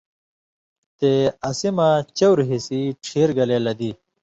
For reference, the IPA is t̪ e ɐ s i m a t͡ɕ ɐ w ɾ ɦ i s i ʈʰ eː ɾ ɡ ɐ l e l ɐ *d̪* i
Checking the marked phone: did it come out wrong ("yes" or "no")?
no